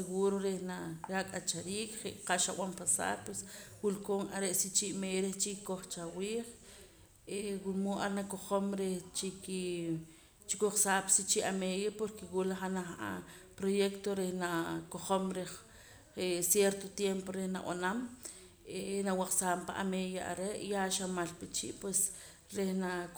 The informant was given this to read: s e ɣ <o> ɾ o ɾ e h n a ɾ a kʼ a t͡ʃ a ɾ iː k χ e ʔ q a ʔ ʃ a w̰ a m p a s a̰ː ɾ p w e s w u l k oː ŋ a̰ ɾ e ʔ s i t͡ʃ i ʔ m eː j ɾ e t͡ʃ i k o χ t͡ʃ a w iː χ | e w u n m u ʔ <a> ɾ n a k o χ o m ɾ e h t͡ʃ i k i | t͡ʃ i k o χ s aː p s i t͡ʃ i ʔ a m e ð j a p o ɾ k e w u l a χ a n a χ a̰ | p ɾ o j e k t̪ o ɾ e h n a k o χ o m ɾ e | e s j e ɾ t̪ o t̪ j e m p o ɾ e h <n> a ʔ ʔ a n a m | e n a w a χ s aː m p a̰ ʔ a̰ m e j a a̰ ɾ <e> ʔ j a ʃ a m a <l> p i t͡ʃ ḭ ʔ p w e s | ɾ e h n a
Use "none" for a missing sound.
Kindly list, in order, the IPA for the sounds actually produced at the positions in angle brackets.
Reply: u, a, n, e, l

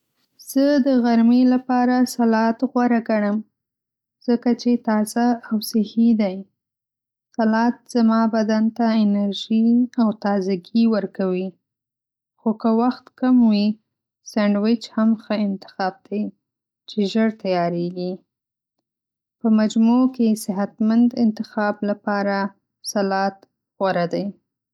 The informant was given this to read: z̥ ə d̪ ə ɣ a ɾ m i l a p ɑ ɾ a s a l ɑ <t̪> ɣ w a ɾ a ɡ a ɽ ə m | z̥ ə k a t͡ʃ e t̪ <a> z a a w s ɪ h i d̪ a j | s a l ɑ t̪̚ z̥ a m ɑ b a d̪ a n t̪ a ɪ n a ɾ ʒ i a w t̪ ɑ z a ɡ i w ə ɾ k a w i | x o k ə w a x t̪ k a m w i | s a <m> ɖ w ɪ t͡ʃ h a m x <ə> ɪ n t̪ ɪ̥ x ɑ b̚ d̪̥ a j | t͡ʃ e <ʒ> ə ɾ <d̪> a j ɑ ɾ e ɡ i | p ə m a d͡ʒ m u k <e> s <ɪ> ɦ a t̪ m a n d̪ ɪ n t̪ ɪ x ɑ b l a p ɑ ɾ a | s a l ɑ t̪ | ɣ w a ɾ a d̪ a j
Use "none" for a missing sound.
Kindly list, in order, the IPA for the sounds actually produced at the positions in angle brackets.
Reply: t̪, ɑ, ɳ, ə, ʒ, t̪, e, ɪ

